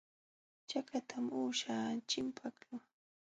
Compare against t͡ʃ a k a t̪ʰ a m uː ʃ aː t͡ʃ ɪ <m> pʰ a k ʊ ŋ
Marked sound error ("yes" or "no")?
no